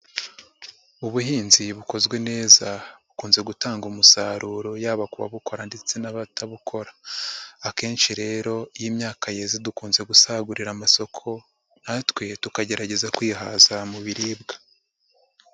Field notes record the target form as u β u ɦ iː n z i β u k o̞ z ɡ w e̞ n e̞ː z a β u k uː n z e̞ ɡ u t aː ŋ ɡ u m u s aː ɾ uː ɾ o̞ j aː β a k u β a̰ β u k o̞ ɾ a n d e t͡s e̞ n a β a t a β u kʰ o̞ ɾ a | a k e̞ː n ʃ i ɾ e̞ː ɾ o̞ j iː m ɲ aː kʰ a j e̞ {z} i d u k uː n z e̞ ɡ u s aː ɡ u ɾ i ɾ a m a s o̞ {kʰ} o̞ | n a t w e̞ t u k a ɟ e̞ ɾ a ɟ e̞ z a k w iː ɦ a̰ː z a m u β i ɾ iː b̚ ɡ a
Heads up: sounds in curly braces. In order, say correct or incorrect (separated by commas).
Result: correct, correct